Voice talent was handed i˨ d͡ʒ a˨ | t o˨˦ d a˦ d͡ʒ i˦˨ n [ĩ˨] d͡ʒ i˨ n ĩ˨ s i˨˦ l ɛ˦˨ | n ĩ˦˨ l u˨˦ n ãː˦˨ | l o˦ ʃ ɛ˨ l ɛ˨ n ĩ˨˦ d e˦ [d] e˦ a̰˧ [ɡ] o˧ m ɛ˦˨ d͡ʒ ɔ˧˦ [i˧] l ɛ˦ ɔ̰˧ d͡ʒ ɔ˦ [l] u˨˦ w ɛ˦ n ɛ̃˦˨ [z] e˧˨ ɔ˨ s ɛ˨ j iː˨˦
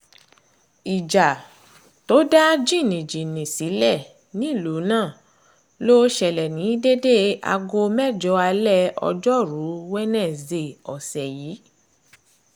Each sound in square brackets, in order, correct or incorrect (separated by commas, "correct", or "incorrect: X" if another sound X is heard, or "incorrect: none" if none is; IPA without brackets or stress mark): correct, correct, correct, incorrect: a˧, incorrect: ɾ, correct